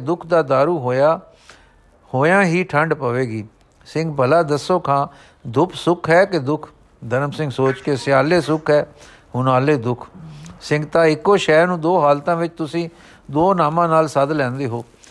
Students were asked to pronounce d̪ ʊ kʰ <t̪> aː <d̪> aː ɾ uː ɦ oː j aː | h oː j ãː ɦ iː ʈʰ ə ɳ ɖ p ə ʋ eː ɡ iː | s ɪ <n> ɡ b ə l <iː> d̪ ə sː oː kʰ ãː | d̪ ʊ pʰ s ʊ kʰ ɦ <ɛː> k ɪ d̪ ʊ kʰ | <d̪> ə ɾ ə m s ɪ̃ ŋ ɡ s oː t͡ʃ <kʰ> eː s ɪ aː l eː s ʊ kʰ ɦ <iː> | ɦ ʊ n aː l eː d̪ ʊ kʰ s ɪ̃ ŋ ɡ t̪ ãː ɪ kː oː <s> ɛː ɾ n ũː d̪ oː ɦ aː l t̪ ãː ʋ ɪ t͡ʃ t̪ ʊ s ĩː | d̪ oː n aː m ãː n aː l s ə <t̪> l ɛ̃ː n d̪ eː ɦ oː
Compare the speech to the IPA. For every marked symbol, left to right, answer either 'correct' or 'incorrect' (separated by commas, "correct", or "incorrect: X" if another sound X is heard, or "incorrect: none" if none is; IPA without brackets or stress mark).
incorrect: d̪, correct, incorrect: ŋ, incorrect: aː, correct, correct, incorrect: k, incorrect: ɛː, incorrect: ʃ, incorrect: d̪